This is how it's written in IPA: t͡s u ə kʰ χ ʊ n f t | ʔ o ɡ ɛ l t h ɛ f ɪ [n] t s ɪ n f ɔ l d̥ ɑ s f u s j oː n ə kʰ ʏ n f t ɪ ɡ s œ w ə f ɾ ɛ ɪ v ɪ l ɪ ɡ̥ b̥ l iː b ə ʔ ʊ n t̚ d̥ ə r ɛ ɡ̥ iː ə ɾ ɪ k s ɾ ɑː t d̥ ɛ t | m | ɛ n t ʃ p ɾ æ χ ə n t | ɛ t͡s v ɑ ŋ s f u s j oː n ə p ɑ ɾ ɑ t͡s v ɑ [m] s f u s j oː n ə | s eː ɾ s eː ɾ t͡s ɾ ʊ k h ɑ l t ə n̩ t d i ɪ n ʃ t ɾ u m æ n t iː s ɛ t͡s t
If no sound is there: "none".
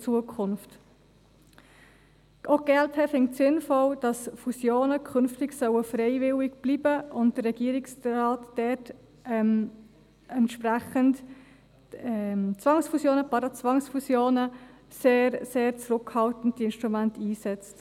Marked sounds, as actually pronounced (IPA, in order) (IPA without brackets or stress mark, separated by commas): ŋ, ŋ